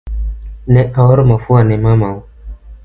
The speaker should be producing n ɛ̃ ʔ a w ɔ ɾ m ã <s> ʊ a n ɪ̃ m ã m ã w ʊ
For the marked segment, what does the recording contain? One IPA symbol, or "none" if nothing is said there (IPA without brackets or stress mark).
f